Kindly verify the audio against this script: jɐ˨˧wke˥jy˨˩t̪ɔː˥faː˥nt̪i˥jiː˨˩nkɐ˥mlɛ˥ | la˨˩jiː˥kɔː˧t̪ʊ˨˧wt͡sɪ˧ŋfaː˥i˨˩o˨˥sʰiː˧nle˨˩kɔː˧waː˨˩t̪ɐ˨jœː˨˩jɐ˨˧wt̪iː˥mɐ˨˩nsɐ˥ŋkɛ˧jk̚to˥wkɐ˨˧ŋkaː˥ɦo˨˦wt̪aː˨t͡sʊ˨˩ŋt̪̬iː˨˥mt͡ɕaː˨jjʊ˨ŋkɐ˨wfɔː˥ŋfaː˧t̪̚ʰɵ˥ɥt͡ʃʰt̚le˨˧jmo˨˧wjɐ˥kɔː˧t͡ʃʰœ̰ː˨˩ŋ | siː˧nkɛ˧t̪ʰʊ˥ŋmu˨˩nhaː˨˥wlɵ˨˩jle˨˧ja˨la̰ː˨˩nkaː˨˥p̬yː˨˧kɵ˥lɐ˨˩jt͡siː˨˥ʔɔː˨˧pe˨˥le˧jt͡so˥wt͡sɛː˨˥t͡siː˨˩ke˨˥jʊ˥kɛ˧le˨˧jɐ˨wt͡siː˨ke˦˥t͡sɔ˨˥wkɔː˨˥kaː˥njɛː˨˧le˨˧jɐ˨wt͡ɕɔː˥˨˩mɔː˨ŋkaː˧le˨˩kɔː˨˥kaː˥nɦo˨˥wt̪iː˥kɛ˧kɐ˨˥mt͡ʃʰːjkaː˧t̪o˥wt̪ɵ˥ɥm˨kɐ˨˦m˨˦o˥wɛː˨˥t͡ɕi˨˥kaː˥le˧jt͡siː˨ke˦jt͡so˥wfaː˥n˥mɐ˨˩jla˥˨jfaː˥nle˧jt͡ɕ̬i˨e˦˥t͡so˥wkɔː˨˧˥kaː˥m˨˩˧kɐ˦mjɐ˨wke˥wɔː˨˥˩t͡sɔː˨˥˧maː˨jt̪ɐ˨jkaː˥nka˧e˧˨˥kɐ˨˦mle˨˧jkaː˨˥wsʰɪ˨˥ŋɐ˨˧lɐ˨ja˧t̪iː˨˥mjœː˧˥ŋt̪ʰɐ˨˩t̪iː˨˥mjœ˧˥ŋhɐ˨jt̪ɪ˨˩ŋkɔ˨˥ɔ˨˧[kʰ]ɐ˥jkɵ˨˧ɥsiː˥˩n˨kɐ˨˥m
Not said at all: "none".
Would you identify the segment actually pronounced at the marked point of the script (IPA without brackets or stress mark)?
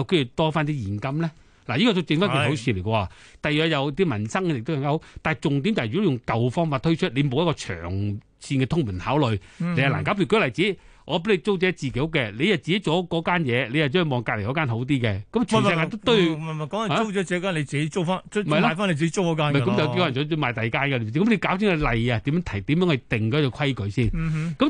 kʰ